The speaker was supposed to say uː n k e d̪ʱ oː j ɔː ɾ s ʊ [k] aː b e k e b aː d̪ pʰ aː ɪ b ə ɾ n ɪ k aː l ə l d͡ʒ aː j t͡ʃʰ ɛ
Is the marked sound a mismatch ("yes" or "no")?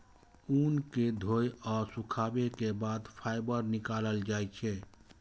yes